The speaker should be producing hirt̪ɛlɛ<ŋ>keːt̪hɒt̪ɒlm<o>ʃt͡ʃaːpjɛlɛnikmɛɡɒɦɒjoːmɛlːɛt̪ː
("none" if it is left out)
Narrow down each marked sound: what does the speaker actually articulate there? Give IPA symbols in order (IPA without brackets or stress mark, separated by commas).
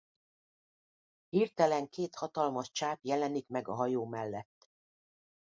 ŋ, ɒ